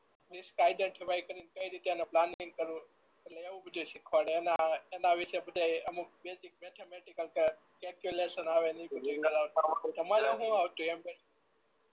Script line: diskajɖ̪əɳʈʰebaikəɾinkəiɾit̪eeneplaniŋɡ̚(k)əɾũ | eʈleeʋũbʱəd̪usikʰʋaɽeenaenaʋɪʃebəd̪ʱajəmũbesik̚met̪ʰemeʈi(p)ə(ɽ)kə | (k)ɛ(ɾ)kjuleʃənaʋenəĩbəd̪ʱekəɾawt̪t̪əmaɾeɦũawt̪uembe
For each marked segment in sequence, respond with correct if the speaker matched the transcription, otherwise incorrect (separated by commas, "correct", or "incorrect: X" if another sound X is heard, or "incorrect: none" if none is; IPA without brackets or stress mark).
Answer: correct, incorrect: k, incorrect: l, correct, incorrect: l